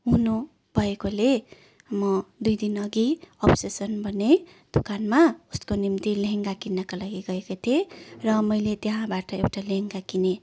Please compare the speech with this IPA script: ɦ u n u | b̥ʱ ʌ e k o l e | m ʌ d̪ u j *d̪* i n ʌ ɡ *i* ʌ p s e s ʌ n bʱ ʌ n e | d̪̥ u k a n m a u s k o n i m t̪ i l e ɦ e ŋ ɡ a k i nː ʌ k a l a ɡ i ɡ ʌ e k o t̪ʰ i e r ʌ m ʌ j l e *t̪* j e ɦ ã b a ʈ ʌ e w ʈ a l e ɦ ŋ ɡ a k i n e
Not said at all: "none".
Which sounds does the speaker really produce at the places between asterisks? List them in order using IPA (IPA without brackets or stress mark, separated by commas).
d̪, i, t̪